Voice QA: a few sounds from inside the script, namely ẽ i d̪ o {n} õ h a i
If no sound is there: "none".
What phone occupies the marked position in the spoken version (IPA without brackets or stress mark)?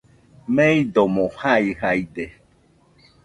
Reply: m